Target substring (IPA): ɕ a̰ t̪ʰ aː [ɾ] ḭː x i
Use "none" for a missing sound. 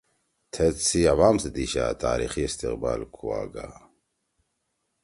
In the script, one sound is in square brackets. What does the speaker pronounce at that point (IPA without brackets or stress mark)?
ɾ